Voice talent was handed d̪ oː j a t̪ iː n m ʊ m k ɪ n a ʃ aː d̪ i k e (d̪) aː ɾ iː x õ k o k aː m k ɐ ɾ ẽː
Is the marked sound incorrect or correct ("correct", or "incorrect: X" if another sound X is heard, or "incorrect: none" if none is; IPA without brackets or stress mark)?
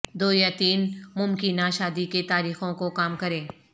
incorrect: t̪